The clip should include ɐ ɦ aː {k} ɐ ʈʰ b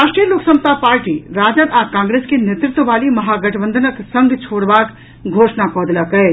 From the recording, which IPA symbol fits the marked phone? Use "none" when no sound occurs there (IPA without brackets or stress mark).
ɡ